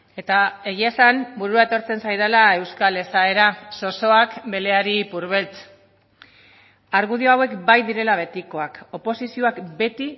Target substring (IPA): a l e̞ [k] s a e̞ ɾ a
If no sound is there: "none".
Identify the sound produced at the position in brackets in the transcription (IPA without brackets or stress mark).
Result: none